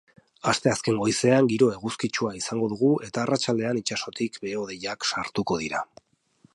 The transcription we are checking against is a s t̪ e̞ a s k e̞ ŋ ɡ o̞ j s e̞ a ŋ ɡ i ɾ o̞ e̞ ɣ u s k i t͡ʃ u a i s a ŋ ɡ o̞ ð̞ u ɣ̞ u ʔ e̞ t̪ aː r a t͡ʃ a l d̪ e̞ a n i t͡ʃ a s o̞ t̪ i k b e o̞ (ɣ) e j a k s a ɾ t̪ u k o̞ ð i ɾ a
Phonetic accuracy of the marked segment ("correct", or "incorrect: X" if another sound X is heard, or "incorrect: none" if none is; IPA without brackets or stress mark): incorrect: ð